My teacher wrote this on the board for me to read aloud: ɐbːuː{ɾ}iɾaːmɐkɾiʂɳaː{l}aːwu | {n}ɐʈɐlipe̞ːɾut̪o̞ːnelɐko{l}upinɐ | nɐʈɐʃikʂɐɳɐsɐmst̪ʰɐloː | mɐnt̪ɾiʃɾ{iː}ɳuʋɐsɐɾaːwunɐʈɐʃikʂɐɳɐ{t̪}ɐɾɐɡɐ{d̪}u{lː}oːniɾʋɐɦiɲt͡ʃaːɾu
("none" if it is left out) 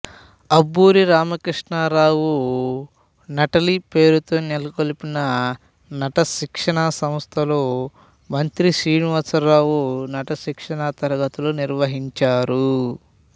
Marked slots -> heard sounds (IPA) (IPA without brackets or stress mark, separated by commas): ɾ, ɾ, n, l, iː, t̪, t̪, l